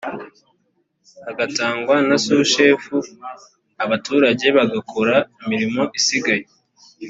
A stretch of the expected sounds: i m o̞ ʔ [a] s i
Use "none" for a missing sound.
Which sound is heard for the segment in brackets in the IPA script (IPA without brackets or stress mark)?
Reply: i